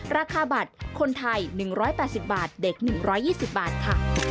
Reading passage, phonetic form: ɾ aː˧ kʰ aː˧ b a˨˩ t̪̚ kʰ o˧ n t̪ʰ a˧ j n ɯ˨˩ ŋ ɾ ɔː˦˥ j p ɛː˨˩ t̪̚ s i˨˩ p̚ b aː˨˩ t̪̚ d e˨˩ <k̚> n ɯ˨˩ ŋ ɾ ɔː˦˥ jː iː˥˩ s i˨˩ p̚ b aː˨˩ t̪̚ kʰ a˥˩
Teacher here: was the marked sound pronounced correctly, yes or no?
yes